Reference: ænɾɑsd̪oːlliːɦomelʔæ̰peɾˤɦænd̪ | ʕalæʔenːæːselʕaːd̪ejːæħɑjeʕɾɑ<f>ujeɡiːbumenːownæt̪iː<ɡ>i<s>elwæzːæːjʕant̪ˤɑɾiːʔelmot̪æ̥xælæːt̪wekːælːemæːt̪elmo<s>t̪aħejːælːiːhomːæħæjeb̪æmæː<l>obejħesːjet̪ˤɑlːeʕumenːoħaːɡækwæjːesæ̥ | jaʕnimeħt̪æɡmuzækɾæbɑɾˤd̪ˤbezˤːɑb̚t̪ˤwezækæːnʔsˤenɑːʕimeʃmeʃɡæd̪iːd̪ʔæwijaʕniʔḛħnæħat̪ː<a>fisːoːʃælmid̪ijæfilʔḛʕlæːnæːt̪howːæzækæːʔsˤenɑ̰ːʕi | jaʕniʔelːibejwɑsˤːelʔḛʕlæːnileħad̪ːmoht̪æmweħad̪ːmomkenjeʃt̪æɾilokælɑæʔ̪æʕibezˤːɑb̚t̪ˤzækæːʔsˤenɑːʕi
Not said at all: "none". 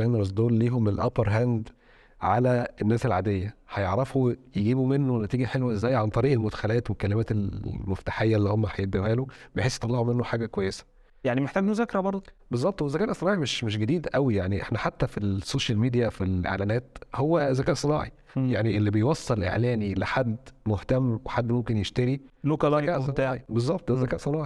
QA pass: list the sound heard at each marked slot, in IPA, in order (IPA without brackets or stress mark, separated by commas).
f, ɡ, ħ, f, l, æ